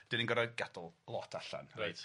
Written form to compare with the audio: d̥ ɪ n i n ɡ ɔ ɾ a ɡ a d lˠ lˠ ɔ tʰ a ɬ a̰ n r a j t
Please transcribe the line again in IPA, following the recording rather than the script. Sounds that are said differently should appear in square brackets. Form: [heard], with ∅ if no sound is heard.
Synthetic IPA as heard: d̥ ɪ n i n ɡ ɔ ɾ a ɡ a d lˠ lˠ ɔ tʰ a ɬ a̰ n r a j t